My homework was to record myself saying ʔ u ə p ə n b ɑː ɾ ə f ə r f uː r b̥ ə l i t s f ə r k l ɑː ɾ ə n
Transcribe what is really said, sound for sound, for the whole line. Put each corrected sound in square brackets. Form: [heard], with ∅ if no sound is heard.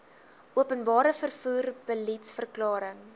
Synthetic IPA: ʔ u ə p ə n b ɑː ɾ ə f ə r f uː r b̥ ə l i t s f ə r k l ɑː ɾ ə [ŋ]